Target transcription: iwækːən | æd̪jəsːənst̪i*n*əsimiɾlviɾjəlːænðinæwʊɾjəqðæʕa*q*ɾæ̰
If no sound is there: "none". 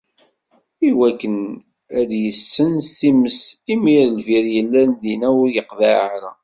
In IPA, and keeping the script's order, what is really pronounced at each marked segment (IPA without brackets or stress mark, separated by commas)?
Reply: m, none